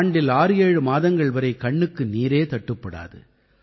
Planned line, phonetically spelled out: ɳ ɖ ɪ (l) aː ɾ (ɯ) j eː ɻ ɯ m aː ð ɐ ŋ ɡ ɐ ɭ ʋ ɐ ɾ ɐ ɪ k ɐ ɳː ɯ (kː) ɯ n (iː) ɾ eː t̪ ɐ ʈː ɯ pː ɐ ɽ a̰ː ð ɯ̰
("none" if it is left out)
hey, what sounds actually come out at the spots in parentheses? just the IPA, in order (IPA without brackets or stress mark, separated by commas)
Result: l, ɯ, kː, iː